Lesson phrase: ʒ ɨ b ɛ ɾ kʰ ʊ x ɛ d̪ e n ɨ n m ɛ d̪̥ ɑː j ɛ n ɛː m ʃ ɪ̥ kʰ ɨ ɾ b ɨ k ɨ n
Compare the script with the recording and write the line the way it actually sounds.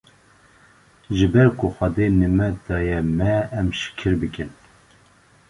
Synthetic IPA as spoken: ʒ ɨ b ɛ ɾ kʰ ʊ x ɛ d̪ e n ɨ m ɛ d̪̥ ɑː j ɛ m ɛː m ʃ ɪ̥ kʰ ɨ ɾ b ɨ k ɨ n